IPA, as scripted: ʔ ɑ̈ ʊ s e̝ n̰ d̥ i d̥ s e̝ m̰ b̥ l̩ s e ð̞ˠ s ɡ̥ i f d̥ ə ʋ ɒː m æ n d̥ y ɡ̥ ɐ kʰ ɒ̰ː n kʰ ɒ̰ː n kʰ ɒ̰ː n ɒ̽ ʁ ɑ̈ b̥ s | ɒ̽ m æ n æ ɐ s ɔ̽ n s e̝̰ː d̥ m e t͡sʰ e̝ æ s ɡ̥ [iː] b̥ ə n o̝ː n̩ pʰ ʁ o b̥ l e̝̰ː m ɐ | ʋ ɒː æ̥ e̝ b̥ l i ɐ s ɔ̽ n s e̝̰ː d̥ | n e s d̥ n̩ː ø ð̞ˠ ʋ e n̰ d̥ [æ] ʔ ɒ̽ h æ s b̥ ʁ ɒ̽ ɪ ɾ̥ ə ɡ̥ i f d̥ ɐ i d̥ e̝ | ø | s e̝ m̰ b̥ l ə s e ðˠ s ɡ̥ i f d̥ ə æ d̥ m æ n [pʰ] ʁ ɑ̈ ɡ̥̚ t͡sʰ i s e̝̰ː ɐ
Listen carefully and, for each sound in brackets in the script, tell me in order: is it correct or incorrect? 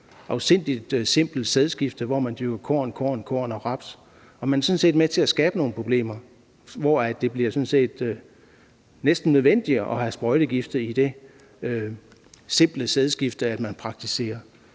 incorrect: ɛː, incorrect: i, correct

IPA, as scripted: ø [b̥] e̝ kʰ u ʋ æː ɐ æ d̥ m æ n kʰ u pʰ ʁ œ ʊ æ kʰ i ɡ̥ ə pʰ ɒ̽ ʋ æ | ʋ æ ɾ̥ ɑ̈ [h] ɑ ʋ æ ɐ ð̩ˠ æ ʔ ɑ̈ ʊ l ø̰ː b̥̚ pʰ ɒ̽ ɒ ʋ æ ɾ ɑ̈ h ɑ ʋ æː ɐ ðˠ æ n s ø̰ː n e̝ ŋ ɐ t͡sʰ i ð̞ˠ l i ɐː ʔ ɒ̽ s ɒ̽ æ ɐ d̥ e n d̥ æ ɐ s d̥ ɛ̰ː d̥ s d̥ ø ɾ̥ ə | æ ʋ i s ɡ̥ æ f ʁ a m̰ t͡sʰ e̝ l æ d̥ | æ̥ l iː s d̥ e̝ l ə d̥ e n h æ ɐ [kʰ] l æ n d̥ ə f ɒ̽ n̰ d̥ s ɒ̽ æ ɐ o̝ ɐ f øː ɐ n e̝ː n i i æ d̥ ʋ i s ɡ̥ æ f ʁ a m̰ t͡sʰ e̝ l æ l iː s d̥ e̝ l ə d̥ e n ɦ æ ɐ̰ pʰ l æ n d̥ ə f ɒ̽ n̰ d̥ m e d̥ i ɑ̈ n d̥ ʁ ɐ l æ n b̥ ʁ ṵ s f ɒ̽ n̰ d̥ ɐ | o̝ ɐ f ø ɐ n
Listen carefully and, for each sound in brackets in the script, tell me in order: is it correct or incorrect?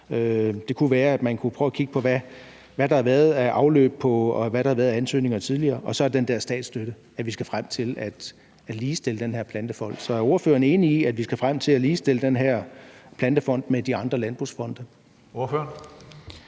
incorrect: d̥, correct, incorrect: pʰ

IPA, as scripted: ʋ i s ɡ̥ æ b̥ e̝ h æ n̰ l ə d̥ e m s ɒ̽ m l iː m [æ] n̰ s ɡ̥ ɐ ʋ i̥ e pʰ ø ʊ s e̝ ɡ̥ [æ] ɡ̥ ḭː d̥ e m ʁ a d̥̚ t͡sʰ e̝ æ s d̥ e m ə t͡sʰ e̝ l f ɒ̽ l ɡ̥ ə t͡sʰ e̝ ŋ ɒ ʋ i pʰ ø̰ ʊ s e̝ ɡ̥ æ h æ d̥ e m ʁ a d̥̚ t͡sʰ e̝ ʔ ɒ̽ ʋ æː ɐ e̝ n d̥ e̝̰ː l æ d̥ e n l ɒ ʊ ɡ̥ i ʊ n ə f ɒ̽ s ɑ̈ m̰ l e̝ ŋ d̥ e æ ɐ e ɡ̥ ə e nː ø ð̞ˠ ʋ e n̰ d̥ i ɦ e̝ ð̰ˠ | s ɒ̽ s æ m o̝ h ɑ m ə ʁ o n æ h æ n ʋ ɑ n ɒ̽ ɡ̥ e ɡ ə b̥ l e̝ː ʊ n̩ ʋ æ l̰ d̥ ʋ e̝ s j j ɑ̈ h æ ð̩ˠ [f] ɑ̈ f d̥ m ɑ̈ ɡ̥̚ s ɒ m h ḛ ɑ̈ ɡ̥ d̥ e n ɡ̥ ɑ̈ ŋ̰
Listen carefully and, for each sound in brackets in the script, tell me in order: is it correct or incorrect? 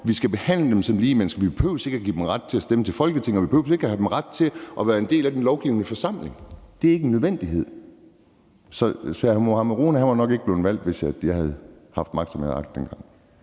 incorrect: e, correct, incorrect: h

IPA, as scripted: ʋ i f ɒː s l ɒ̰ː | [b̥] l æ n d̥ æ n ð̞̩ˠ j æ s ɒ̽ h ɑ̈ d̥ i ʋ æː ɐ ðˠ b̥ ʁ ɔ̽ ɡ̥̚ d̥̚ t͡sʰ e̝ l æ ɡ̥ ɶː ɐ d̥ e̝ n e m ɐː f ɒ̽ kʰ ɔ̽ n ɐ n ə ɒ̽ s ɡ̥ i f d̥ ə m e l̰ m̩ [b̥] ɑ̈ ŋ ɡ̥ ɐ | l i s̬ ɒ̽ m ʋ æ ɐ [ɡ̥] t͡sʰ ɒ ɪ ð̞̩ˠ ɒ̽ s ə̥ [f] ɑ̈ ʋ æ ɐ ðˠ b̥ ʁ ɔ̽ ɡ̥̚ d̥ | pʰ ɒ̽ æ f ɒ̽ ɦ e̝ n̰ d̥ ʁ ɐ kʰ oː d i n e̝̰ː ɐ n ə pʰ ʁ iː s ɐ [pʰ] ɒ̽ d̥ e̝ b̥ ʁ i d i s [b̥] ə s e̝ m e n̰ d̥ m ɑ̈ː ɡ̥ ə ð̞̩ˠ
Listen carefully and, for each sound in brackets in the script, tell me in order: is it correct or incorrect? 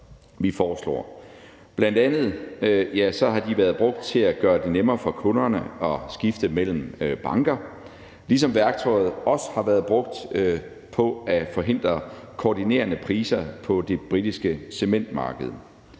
correct, correct, correct, incorrect: h, correct, incorrect: ɡ̥

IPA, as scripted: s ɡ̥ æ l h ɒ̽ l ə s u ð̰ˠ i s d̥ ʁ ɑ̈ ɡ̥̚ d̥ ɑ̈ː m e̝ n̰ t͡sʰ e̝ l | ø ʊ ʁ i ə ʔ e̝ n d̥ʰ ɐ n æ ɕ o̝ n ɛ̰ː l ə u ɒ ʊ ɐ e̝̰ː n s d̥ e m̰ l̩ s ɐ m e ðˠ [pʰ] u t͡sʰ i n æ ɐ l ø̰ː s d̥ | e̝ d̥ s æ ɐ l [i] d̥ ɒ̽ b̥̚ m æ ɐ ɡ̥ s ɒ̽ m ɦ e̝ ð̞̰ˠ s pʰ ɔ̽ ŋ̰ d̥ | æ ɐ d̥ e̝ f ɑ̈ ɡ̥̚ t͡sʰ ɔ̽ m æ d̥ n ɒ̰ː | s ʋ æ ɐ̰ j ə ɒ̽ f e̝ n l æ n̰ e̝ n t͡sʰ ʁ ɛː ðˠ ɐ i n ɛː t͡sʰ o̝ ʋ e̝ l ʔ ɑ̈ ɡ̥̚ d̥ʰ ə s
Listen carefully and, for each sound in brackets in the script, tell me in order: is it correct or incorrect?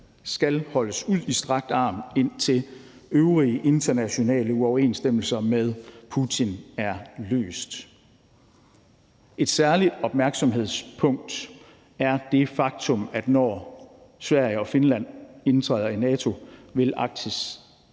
correct, correct

